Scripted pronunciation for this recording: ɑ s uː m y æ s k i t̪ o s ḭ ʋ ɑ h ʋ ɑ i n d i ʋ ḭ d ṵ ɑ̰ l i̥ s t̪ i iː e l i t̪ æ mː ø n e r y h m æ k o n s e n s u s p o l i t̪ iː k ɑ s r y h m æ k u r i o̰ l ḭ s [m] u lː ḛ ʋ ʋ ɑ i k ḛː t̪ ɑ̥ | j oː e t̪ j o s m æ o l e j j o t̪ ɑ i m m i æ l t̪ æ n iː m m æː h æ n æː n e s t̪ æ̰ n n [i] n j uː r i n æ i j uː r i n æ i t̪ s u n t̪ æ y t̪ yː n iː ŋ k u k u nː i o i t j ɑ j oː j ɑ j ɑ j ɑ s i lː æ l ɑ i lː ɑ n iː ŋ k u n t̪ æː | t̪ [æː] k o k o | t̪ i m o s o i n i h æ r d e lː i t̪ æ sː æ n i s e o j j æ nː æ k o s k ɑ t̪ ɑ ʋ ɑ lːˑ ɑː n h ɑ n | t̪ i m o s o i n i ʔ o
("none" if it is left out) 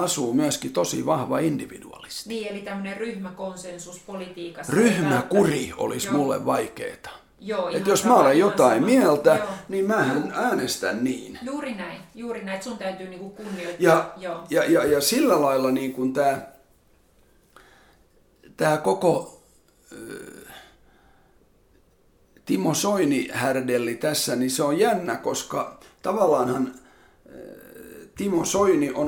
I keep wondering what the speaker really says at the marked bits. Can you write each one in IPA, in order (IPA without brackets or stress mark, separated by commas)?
m, iː, æː